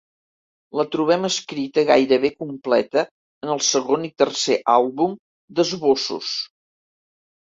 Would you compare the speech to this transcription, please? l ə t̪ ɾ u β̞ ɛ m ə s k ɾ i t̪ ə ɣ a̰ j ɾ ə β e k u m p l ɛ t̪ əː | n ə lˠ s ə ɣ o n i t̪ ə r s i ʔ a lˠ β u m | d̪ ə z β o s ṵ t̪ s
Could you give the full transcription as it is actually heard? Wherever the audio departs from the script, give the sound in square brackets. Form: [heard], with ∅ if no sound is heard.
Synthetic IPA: l ə t̪ ɾ u β̞ ɛ m ə s k ɾ i t̪ ə ɣ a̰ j ɾ ə β e k u m p l ɛ t̪ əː | n ə lˠ s ə ɣ o n i t̪ ə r s [e] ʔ a lˠ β u m | d̪ ə z β o s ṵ [∅] s